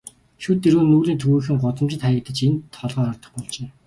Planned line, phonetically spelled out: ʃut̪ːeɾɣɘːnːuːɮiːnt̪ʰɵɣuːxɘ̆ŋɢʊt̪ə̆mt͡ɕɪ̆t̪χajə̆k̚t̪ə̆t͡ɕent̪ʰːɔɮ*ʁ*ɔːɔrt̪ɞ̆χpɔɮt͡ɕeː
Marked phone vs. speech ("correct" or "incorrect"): correct